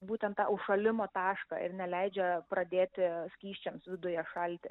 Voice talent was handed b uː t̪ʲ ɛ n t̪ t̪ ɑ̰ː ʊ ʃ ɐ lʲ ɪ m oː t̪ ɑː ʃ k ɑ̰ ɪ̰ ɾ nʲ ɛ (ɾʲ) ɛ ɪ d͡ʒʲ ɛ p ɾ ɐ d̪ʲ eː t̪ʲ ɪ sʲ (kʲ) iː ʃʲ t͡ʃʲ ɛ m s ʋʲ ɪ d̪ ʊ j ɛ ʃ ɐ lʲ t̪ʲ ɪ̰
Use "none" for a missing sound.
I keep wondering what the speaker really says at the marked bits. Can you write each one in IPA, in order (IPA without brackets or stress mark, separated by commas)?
lʲ, kʲ